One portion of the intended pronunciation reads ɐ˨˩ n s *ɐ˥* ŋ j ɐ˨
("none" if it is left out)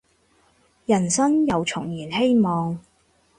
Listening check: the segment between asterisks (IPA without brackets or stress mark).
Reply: ɐ˥